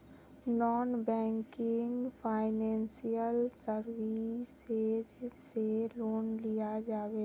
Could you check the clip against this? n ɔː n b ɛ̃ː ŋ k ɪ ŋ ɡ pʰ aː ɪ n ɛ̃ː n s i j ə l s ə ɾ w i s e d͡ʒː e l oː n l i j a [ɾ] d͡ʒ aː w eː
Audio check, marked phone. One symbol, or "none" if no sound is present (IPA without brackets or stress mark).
none